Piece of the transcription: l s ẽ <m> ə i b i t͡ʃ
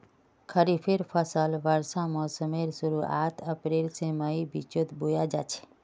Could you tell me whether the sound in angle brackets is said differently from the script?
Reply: no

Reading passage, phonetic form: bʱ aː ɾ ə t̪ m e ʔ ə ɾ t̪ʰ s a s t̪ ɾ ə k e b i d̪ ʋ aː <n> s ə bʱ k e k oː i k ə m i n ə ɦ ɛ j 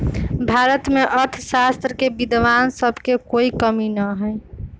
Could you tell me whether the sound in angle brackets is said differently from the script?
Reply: no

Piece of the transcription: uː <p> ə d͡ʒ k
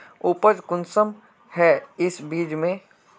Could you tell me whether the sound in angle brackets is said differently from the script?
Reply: no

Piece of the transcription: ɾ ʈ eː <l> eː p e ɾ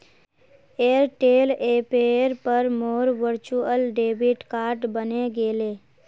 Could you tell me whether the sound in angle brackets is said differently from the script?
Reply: no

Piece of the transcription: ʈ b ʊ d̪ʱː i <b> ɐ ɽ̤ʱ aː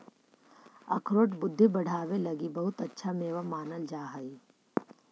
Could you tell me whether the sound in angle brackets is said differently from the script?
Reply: no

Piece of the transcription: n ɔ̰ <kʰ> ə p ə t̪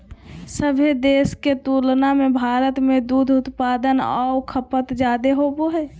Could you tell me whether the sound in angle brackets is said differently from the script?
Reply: no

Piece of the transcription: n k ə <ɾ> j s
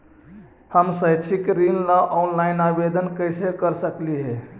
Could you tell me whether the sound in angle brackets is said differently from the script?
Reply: yes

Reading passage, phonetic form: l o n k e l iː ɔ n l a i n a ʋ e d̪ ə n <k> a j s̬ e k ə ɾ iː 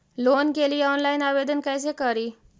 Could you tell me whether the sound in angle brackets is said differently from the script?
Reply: no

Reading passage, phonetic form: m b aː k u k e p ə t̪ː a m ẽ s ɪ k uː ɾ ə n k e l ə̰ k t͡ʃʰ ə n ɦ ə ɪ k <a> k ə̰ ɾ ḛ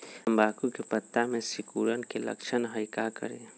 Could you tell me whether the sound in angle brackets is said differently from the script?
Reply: no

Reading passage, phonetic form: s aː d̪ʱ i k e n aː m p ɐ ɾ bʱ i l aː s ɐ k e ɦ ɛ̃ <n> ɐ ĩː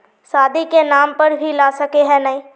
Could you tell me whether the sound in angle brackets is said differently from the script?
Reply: no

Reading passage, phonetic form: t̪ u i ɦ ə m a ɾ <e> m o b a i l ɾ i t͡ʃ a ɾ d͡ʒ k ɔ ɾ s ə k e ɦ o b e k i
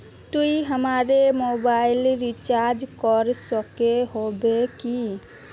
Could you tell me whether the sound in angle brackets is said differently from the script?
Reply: no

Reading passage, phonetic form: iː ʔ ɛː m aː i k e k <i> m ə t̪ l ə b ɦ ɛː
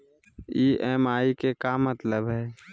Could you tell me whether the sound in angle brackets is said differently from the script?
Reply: yes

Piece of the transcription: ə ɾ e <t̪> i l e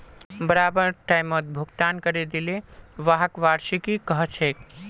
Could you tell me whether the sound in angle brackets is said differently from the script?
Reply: yes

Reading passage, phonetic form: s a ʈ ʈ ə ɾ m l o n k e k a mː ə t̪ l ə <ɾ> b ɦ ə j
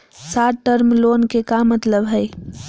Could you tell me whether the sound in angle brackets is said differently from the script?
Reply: yes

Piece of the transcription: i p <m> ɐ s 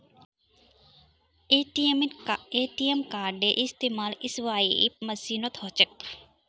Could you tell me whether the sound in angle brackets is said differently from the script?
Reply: no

